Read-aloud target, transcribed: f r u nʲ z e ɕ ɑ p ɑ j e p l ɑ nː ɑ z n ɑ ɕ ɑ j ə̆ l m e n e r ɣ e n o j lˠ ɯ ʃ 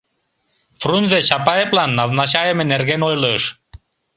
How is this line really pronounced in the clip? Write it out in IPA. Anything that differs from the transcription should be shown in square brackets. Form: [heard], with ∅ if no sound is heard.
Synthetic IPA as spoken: f r u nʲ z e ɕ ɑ p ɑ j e p l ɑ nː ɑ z n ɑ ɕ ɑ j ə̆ [∅] m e n e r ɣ e n o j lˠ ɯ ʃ